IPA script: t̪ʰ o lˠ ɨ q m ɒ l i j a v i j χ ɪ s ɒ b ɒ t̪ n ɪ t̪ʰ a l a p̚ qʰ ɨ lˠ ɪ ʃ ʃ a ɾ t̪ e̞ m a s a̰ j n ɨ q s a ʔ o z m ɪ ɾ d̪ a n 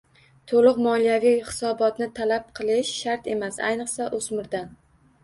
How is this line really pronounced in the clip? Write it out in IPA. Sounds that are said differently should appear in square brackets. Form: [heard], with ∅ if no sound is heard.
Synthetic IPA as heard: t̪ʰ o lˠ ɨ q m ɒ l i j a v i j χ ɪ s ɒ b ɒ t̪ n ɪ t̪ʰ a l a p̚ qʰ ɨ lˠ ɪ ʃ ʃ a ɾ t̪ e̞ m a s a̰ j n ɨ q s a ʔ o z m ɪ ɾ d̪ a n